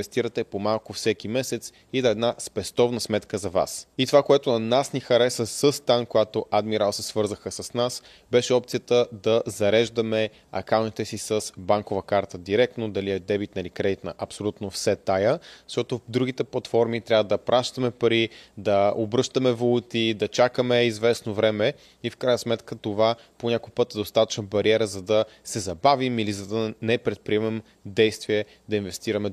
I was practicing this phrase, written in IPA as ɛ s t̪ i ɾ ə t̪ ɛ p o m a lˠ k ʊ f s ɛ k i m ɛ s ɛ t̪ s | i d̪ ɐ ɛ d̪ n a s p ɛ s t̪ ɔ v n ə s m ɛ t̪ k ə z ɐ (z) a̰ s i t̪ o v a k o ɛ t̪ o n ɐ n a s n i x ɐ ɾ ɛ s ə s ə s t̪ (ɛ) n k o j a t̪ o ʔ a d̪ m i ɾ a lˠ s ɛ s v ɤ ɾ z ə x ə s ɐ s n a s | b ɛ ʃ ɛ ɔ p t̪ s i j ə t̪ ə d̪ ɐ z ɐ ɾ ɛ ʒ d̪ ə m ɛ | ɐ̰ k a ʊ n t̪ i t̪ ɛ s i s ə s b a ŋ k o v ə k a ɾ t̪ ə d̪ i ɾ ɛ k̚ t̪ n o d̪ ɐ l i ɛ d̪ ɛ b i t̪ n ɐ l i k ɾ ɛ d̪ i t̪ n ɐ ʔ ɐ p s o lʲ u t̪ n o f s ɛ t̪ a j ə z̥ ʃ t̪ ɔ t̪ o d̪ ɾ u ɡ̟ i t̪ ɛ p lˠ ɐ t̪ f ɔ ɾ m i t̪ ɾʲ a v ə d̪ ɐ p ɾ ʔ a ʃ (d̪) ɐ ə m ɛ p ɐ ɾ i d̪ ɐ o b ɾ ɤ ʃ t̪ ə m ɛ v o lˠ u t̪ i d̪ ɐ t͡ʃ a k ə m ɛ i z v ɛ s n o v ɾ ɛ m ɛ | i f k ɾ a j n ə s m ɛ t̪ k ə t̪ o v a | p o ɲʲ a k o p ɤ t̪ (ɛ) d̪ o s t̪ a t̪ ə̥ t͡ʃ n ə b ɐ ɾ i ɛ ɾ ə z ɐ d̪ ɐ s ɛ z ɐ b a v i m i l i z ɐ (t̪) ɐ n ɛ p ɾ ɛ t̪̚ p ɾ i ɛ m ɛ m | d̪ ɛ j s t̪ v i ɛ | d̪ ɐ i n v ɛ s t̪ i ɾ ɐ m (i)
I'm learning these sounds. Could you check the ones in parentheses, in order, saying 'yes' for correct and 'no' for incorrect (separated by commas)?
no, no, no, yes, no, no